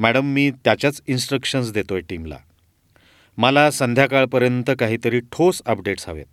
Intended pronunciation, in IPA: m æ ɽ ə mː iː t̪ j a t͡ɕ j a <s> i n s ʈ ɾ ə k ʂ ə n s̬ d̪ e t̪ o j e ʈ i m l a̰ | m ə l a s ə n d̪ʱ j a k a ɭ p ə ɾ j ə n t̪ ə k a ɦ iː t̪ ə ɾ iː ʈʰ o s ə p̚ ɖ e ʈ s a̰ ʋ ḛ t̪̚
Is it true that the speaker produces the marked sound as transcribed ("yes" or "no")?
no